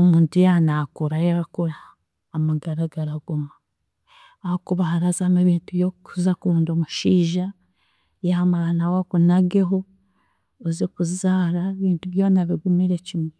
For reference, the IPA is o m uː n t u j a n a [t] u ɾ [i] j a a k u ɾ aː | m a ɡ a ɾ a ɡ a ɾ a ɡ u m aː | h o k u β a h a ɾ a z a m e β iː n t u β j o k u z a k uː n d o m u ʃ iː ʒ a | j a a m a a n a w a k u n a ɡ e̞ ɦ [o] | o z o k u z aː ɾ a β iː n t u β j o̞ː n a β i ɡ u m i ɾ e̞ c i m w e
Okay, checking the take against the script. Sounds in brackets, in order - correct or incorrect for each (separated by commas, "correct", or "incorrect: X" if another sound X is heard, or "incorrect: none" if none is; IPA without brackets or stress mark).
incorrect: k, incorrect: a, correct